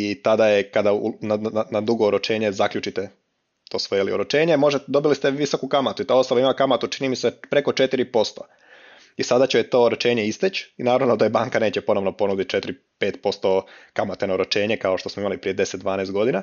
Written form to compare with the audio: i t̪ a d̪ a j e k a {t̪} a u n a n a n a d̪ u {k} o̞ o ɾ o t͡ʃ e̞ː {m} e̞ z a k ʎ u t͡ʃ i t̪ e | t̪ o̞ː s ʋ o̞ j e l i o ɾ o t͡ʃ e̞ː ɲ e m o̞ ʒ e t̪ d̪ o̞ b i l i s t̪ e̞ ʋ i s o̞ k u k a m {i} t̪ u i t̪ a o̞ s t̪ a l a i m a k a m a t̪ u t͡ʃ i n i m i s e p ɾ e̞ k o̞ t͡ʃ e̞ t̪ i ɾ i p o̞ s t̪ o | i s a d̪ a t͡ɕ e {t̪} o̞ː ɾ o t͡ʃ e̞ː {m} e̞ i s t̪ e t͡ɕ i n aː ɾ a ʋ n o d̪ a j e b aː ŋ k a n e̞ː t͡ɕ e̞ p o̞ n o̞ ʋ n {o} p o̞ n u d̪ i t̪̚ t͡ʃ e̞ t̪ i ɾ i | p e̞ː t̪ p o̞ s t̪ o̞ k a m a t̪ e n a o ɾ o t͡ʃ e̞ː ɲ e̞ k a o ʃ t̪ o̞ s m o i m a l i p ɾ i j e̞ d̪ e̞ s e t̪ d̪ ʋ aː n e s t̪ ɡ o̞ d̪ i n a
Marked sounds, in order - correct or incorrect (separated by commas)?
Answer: incorrect, incorrect, incorrect, incorrect, correct, incorrect, correct